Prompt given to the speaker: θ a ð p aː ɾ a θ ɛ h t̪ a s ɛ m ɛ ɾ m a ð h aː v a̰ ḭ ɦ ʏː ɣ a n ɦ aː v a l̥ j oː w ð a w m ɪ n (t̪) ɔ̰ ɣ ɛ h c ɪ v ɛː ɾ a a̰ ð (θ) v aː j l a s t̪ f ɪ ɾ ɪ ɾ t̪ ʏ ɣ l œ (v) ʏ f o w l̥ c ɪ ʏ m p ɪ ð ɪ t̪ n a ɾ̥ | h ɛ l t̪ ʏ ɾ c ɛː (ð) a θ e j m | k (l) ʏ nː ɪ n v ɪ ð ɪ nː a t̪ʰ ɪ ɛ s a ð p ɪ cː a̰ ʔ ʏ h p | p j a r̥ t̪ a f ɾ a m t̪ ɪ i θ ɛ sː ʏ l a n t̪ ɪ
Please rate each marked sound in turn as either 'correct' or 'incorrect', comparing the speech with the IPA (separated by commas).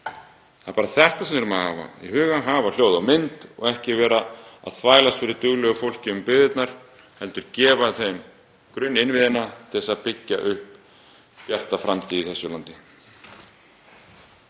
correct, correct, incorrect, incorrect, incorrect